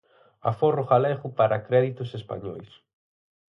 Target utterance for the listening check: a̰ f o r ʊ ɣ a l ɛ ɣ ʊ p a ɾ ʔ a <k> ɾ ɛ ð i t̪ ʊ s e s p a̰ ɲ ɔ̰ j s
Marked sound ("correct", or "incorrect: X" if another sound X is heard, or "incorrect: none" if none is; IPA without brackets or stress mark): correct